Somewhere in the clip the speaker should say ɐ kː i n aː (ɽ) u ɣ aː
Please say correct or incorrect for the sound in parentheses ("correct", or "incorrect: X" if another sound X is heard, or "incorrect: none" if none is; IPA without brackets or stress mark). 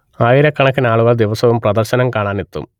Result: incorrect: ɭ